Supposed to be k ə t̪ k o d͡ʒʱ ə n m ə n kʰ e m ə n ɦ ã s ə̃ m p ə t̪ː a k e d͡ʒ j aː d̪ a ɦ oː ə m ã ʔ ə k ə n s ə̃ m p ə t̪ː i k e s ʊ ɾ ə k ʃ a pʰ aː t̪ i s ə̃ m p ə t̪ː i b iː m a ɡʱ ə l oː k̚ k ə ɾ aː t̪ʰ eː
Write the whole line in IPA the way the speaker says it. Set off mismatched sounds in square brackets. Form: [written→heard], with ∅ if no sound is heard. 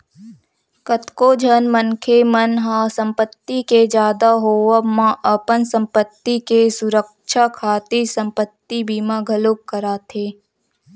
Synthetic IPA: k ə t̪ k o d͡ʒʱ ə n m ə n kʰ e m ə n ɦ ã s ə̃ m p ə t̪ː [a→i] k e d͡ʒ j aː d̪ a ɦ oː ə m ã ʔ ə [k→p] ə n s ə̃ m p ə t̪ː i k e s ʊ ɾ ə k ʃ a [pʰ→kʰ] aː t̪ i s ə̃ m p ə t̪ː i b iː m a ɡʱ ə l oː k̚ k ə ɾ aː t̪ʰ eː

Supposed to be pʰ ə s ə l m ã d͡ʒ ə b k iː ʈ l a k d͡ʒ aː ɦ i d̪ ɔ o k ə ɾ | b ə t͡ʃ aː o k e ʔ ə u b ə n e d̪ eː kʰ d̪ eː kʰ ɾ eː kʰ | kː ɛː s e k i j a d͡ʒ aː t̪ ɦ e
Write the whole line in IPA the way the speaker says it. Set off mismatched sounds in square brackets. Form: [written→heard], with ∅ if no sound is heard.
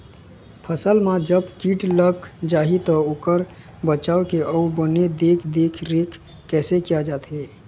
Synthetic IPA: pʰ ə s ə l m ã d͡ʒ ə b k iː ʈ l [a→ə] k d͡ʒ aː ɦ i [d̪→t̪] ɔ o k ə ɾ | b ə t͡ʃ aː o k e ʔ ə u b ə n e d̪ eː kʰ d̪ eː kʰ ɾ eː kʰ | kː ɛː s e k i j a d͡ʒ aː t̪ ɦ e

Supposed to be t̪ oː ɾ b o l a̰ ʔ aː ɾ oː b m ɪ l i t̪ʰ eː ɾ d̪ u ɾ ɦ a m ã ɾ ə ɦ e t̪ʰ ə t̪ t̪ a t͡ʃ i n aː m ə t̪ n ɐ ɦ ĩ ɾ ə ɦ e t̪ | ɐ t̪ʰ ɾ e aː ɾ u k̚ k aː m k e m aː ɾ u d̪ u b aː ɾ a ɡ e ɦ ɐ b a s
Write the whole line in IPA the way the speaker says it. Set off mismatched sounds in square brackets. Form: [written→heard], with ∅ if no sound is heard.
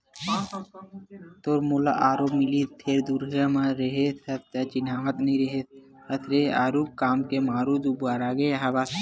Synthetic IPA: t̪ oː ɾ [b→m] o l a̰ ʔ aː ɾ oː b m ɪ l i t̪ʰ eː ɾ d̪ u ɾ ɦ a m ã ɾ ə ɦ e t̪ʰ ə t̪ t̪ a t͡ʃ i n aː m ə t̪ n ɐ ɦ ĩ ɾ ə ɦ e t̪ | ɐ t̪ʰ ɾ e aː ɾ u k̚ k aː m k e m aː ɾ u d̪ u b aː ɾ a ɡ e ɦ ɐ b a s

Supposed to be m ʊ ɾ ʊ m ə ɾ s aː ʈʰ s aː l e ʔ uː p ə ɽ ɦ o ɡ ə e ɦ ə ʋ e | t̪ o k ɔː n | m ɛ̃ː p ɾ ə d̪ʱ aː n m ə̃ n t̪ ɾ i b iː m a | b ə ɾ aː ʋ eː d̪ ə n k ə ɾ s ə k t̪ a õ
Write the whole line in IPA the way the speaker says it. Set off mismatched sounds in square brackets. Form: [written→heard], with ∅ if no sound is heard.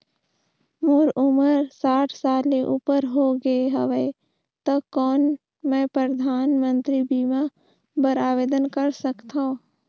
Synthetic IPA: m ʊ ɾ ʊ m ə ɾ s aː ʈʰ s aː l e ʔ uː p ə [ɽ→ɾ] ɦ o ɡ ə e ɦ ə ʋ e | t̪ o k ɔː n | m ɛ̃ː p ɾ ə d̪ʱ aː n m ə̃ n t̪ ɾ i b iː m a | b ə ɾ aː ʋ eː d̪ ə n k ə ɾ s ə k t̪ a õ

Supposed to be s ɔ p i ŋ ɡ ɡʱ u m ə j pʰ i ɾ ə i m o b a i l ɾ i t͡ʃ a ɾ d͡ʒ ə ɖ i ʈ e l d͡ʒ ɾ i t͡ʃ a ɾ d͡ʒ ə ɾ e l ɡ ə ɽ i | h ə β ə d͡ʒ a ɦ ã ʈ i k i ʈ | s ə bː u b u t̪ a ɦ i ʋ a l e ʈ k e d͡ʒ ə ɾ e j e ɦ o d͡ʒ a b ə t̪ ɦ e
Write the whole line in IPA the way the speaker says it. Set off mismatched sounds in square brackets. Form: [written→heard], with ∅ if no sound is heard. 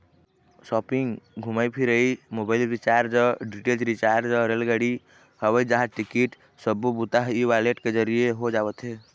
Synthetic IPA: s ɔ p i ŋ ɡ ɡʱ u m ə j pʰ i ɾ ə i m o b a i l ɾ i t͡ʃ a ɾ d͡ʒ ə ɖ i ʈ e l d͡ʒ ɾ i t͡ʃ a ɾ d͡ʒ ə ɾ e l ɡ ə ɽ i | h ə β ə d͡ʒ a ɦ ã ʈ i k i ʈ | s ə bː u b u t̪ a ɦ i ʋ a l e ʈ k e d͡ʒ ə ɾ [e→i] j e ɦ o d͡ʒ a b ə t̪ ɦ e

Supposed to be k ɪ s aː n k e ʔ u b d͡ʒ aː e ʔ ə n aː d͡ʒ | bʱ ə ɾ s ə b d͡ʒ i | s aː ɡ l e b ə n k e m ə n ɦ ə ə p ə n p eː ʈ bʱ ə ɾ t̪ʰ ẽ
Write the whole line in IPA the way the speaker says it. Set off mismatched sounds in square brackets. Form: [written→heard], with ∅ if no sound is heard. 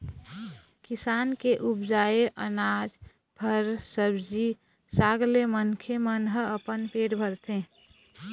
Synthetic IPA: k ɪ s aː n k e ʔ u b d͡ʒ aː e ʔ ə n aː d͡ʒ | bʱ ə ɾ s ə b d͡ʒ i | s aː ɡ l e [b→m] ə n [k→kʰ] e m ə n ɦ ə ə p ə n p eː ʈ bʱ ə ɾ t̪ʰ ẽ

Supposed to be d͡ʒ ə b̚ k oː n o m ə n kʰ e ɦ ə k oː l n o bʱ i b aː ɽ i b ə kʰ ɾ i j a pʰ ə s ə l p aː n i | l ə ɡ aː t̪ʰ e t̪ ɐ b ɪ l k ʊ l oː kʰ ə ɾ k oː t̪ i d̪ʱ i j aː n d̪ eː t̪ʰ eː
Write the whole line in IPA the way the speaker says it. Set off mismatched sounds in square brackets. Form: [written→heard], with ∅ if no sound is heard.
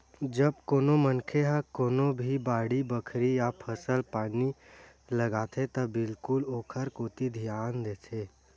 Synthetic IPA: d͡ʒ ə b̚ k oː n o m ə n kʰ e ɦ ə k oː [l→∅] n o bʱ i b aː ɽ i b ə kʰ ɾ i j a pʰ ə s ə l p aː n i | l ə ɡ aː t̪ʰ e t̪ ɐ b ɪ l k ʊ l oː kʰ ə ɾ k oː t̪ i d̪ʱ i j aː n d̪ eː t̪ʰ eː

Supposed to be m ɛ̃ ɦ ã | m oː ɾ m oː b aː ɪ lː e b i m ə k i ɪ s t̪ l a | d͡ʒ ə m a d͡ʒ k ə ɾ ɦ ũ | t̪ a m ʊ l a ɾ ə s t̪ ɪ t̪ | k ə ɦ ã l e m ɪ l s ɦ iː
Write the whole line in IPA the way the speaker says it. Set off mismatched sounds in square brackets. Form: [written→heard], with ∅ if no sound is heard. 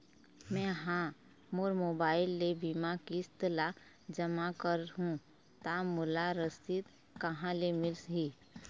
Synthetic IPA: m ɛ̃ ɦ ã | m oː ɾ m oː b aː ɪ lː e b i m [ə→a] k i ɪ s t̪ l a | d͡ʒ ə m a [d͡ʒ→∅] k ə ɾ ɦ ũ | t̪ a m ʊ l a ɾ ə s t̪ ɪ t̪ | k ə ɦ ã l e m ɪ l s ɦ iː

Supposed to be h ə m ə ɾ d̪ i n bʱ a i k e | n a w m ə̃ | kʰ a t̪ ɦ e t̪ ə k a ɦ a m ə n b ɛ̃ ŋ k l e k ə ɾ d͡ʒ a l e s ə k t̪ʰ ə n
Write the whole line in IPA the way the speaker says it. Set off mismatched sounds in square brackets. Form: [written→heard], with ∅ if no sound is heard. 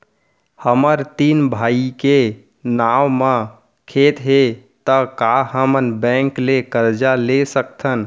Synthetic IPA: h ə m ə ɾ [d̪→t̪] i n bʱ a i k e | n a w m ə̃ | kʰ [a→e] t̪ ɦ e t̪ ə k a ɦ [a→ə] m ə n b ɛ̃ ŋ k l e k ə ɾ d͡ʒ a l e s ə k t̪ʰ ə n

